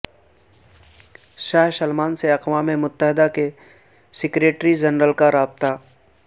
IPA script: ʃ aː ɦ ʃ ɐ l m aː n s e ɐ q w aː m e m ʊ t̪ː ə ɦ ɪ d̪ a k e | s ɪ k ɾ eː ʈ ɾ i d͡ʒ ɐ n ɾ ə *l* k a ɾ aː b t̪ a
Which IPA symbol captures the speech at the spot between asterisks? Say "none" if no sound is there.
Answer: l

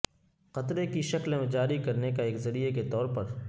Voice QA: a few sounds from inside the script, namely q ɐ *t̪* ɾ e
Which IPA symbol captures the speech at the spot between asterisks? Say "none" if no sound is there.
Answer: t̪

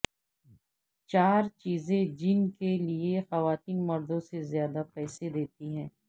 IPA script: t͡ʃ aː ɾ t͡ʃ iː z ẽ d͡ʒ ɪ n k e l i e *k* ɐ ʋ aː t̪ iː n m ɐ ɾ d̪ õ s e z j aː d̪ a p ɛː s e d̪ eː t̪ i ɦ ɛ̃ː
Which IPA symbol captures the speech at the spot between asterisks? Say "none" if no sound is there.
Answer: x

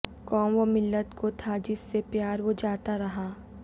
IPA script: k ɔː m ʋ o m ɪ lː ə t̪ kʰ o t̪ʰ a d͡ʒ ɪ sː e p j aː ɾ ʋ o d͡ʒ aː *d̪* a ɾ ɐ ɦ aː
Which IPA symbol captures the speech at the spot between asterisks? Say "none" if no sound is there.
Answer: t̪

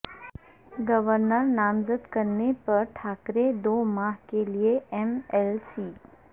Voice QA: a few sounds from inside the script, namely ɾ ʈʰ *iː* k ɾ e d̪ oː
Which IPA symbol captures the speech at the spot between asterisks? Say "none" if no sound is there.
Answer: aː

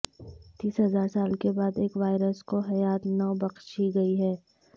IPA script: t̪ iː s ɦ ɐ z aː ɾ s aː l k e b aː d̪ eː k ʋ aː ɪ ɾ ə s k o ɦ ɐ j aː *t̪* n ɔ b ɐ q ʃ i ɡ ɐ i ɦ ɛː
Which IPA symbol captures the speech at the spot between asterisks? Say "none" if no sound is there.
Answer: t̪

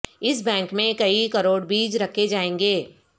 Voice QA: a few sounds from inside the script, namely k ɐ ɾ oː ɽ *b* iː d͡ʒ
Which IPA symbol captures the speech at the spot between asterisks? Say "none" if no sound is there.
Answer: b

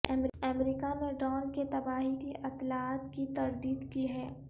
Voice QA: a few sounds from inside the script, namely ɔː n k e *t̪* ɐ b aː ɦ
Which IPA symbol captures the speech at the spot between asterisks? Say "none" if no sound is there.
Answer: t̪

